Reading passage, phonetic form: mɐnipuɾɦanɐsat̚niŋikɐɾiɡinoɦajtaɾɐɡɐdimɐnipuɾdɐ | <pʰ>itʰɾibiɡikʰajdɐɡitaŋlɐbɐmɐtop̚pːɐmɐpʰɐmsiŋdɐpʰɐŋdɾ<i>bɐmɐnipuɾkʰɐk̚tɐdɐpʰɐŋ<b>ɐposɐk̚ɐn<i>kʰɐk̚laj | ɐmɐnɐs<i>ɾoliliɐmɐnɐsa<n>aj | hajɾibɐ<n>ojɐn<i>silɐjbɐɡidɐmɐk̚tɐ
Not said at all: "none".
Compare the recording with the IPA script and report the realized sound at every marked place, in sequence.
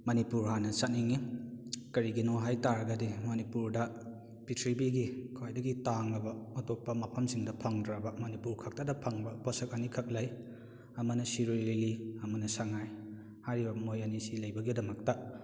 p, a, b, i, i, ŋ, m, i

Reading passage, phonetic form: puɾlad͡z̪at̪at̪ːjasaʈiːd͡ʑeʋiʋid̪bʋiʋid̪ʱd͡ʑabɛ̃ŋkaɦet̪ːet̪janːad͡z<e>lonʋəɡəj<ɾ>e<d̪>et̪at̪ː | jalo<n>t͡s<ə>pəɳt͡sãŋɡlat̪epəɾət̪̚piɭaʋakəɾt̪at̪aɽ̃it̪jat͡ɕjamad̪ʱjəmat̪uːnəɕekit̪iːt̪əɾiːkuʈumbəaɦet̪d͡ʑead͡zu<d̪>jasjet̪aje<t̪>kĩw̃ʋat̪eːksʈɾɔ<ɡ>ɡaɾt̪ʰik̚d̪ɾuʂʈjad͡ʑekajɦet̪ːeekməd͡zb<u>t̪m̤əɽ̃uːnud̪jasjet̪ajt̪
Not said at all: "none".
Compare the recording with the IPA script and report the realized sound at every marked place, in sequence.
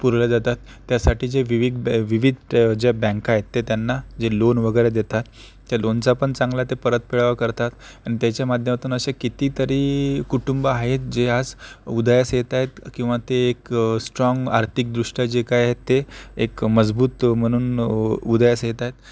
e, ɾ, d̪, n, a, d̪, t̪, ŋ, uː

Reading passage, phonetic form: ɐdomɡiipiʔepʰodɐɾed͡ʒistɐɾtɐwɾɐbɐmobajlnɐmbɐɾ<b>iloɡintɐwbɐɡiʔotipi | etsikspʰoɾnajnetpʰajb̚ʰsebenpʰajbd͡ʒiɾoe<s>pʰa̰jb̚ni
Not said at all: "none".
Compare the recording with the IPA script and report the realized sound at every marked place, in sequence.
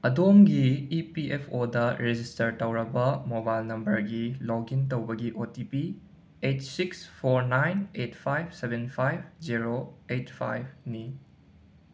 ɡ, t

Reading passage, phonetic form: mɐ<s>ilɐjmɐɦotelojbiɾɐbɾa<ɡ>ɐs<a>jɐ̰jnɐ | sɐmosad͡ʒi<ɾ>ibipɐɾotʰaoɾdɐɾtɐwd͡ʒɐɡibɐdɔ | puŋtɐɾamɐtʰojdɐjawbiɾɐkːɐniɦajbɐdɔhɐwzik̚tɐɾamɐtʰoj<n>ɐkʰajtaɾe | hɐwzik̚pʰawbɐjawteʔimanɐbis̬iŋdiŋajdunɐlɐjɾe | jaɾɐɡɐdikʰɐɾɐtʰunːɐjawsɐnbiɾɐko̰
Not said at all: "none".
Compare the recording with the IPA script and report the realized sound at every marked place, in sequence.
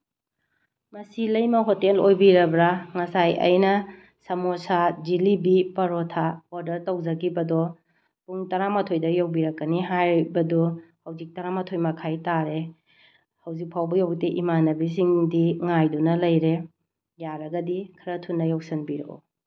s, ŋ, a, l, m

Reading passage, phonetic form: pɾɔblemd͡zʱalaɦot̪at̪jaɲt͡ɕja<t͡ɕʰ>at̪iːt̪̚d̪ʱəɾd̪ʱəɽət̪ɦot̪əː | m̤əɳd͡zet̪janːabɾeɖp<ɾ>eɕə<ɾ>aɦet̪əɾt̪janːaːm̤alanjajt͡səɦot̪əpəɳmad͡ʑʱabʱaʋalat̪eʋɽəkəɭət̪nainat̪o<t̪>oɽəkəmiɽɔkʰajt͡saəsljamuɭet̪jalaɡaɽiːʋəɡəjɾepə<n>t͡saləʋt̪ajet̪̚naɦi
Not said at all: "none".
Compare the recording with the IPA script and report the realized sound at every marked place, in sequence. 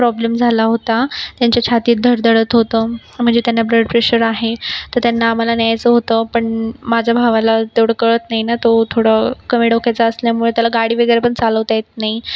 t͡ɕʰ, ɾ, ɾ, t̪ʰ, ɳ

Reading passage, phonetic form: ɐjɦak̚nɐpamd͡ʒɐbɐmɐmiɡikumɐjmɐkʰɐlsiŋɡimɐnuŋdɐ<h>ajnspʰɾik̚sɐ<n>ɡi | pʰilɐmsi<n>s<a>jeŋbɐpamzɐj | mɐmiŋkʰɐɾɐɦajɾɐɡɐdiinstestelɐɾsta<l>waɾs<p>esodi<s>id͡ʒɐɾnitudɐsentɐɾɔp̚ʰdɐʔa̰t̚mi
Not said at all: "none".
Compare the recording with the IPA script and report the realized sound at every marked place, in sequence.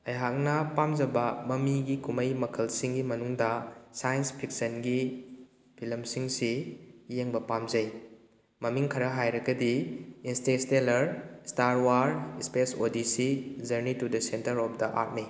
s, n, ŋ, i, ɾ, p, s

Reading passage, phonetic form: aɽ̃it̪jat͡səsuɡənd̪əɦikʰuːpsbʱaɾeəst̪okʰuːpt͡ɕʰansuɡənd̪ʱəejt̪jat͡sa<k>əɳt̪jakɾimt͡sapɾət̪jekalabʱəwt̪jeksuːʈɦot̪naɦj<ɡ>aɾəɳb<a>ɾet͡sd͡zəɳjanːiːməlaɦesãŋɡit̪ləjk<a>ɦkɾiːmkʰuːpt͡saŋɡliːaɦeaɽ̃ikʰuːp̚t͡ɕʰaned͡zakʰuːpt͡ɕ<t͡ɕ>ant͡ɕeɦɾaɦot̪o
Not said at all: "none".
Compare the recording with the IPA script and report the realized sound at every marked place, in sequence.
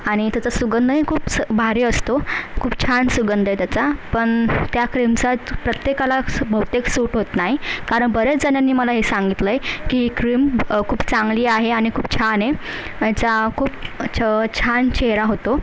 p, k, ə, i, t͡ɕʰ

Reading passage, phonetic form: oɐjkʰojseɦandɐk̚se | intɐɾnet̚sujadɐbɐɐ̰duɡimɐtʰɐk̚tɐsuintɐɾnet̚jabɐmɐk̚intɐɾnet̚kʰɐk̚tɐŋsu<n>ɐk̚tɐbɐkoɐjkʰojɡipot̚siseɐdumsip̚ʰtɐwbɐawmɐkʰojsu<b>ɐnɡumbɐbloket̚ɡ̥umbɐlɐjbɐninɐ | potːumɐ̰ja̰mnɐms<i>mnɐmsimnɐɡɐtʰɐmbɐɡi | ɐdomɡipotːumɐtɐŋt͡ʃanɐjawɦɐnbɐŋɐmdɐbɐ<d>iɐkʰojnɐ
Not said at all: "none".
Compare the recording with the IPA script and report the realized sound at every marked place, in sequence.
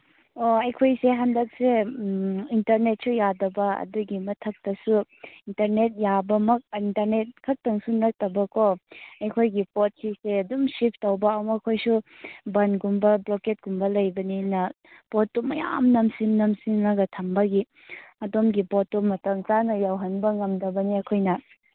n, b, i, n

